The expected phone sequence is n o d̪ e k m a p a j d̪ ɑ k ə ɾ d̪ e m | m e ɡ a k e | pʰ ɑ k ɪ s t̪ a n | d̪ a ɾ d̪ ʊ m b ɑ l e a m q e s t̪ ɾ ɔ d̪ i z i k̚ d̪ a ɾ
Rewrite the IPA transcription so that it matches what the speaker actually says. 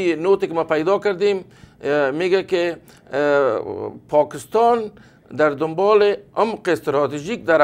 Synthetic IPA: n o t̪ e k m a p a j d̪ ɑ k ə ɾ d̪ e m | m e ɡ a k e | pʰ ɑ k ɪ s t̪ ɑ n | d̪ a ɾ d̪ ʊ m b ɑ l e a m q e s t̪ ɾ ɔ t̪ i ʒ i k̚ d̪ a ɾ